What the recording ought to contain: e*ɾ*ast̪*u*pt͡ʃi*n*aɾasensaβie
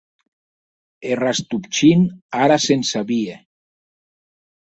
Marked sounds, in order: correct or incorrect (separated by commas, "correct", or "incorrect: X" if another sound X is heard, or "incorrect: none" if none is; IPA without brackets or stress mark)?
incorrect: r, correct, correct